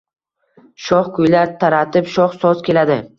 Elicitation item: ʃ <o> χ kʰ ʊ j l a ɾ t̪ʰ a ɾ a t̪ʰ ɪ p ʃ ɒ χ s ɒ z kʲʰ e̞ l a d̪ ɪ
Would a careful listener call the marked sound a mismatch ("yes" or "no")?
yes